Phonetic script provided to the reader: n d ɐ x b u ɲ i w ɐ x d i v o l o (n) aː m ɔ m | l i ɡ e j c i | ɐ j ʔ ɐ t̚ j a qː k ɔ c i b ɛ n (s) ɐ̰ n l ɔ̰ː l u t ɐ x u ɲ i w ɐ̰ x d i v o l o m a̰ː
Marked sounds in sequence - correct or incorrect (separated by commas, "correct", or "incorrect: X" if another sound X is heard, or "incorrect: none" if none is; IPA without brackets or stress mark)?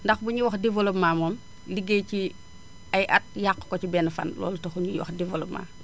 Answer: incorrect: m, incorrect: f